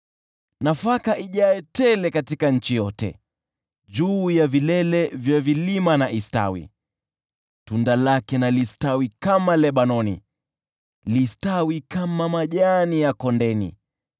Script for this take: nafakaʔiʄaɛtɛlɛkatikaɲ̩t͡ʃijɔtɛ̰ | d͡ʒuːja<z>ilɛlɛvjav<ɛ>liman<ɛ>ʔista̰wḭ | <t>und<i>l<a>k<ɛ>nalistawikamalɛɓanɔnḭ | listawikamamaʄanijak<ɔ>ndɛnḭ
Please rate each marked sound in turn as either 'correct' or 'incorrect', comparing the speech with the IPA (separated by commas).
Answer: incorrect, incorrect, incorrect, correct, incorrect, correct, correct, correct